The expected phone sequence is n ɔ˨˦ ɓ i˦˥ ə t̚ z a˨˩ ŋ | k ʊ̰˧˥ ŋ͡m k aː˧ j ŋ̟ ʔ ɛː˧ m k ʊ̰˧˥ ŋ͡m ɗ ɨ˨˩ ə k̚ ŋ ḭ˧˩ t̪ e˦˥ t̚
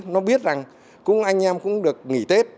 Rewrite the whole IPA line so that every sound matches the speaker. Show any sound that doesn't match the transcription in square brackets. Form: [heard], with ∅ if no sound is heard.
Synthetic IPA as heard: n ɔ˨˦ ɓ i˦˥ ə t̚ z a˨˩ ŋ | k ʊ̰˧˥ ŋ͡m [ʔ] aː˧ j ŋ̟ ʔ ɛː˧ m k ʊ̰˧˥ ŋ͡m ɗ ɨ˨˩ ə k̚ ŋ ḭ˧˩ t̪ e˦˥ t̚